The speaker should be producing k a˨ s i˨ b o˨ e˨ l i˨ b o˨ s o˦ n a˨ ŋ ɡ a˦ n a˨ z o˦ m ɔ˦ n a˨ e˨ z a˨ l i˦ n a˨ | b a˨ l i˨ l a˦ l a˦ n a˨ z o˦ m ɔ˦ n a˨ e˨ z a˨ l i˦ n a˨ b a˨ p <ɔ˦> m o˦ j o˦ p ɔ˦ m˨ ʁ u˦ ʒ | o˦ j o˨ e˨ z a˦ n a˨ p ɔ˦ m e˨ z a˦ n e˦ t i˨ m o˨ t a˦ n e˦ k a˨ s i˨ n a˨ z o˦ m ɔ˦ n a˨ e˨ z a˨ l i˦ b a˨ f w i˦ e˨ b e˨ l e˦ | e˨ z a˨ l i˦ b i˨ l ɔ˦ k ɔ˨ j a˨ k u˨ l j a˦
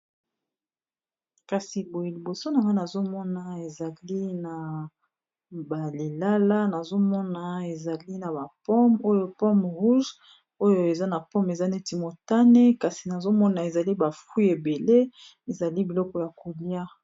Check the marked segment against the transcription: correct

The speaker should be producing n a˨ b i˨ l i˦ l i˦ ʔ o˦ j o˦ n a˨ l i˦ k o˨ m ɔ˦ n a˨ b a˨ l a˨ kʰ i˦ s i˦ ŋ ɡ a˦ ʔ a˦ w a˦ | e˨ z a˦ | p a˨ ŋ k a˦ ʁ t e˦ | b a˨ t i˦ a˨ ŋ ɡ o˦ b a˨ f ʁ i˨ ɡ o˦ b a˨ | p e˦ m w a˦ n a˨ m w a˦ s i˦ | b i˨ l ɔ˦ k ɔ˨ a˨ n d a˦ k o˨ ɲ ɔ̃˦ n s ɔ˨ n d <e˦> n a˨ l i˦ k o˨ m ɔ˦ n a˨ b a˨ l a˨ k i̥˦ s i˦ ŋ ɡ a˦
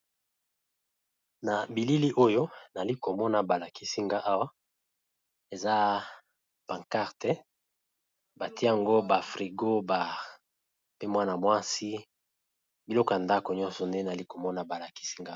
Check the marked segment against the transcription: correct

